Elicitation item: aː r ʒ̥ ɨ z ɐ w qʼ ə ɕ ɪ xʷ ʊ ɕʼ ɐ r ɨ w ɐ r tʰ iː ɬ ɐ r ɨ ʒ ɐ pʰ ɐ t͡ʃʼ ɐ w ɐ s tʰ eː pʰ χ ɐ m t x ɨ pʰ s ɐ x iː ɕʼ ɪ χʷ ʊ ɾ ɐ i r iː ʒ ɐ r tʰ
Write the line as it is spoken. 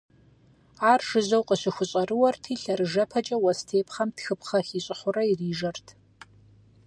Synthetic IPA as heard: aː r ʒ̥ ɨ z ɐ w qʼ ə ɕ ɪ xʷ ʊ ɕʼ ɐ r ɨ w ɐ r tʰ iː ɬ ɐ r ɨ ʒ ɐ pʰ ɐ t͡ʃʼ ɐ w ɐ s tʰ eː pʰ χ ɐ m t x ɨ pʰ χ ɐ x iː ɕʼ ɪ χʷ ʊ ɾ ɐ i r iː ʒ ɐ r tʰ